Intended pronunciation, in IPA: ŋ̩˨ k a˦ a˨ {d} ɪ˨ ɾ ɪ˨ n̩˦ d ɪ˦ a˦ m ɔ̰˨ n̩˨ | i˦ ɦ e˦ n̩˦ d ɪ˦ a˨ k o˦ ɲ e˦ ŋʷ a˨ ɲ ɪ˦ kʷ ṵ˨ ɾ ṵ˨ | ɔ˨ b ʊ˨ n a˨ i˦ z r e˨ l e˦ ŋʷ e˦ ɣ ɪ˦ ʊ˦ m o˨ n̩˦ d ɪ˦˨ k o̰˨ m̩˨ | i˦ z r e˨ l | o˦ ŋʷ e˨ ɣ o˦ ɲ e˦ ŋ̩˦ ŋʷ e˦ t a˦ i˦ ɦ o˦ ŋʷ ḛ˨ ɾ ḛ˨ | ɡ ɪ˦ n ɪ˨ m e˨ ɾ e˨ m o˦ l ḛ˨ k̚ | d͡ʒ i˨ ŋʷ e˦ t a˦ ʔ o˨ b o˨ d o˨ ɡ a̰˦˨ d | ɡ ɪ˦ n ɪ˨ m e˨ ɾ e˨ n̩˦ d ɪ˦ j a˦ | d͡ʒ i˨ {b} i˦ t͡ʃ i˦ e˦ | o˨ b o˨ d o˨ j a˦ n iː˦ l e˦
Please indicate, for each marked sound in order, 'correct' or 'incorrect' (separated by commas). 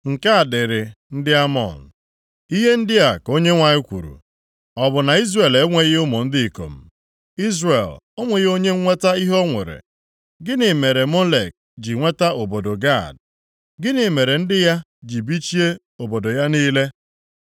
correct, correct